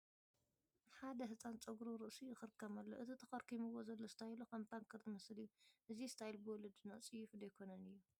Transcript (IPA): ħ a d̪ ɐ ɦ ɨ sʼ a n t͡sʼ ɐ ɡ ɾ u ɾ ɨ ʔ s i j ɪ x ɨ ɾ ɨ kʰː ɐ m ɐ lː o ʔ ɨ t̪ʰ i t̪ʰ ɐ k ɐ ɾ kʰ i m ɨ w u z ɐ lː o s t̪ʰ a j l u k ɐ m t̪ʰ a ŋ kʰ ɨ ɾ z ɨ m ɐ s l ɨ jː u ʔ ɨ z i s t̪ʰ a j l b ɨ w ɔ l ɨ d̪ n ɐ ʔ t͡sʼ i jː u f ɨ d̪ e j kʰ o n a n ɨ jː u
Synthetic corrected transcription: ħ a d̪ ɐ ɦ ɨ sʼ a n t͡sʼ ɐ ɡ ɾ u ɾ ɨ ʔ s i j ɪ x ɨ ɾ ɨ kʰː ɐ m ɐ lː o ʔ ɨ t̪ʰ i t̪ʰ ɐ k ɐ ɾ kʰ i m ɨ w o z ɐ lː o s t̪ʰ a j l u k ɐ m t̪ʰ a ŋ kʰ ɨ ɾ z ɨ m ɐ s l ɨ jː u ʔ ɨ z i s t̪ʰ a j l b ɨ w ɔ l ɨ d̪ n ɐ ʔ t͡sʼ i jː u f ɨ d̪ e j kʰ o n ɐ n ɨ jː u